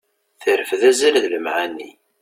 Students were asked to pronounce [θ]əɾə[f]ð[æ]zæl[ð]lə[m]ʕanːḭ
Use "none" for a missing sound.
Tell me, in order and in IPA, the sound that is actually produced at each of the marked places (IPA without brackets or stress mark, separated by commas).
θ, f, æ, ð, m